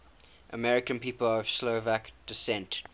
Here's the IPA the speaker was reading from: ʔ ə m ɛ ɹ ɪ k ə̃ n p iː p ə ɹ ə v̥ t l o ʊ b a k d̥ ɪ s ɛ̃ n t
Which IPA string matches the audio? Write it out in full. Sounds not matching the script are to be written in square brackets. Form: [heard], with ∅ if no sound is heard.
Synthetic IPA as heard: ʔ ə m ɛ ɹ ɪ k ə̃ n p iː p ə [l] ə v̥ [s] l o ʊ [v] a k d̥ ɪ s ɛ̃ n t